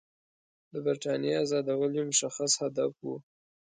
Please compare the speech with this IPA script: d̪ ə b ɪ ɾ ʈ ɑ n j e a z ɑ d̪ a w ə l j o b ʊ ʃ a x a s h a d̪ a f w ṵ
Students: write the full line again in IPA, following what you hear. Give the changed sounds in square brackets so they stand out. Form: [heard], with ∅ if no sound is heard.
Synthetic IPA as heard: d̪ ə b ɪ ɾ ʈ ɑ n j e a z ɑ d̪ a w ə l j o [m] ʊ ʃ a x a s h a d̪ a f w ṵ